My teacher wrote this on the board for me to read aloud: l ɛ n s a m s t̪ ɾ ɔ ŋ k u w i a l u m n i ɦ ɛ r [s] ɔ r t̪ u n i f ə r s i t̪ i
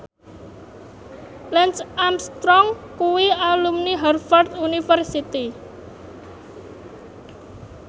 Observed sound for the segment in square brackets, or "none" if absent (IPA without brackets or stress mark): f